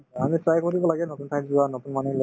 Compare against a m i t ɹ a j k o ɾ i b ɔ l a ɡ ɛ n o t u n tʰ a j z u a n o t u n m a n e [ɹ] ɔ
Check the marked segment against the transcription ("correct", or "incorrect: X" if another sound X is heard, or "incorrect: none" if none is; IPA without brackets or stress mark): incorrect: l